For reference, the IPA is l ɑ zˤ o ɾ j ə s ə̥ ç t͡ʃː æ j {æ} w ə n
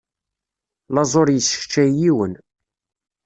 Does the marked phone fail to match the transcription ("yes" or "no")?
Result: yes